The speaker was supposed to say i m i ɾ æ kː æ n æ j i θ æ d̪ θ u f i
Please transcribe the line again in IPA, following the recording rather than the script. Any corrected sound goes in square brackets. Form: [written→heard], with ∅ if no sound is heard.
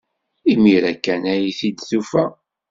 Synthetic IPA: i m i ɾ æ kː æ n æ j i θ [æ→i] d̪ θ u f [i→æ]